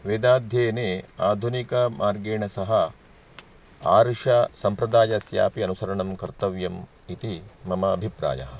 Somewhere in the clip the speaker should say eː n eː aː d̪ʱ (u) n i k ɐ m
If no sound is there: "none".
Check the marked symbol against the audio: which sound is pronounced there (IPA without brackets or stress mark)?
u